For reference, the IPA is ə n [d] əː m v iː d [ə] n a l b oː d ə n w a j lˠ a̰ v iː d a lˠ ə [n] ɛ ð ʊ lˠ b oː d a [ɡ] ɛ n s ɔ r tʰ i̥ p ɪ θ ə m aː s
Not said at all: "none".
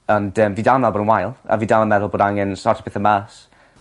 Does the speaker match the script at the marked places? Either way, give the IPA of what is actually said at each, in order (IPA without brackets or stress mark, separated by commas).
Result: d, a, m, ŋ